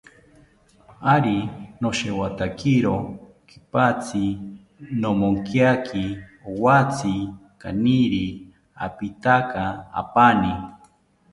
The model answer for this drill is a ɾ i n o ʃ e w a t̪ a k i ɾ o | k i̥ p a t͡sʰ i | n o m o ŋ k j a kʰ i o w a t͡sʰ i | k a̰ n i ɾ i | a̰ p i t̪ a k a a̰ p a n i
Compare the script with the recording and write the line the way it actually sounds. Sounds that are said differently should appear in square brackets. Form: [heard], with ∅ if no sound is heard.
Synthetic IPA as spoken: a ɾ i n o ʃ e w a t̪ a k i ɾ o | k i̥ p a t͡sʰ i | n o m o ŋ k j a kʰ i o w a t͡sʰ i | k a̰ n i ɾ i | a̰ p i t̪ a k a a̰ p a n i